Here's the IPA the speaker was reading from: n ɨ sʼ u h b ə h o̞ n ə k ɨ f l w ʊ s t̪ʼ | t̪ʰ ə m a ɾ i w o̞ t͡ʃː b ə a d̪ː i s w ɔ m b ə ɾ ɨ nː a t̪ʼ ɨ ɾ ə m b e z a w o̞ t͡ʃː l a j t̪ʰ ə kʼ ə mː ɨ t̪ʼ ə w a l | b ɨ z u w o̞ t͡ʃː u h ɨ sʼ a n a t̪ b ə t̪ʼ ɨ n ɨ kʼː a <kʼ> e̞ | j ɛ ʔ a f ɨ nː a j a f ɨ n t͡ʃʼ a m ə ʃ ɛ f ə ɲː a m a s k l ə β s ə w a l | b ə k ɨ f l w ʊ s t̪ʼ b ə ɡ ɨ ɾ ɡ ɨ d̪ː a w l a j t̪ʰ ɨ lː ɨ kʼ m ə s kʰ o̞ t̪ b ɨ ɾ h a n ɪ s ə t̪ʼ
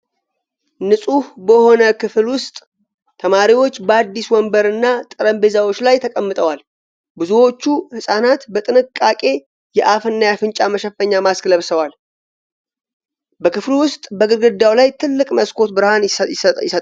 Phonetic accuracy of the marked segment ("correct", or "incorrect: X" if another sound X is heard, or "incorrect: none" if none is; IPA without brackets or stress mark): correct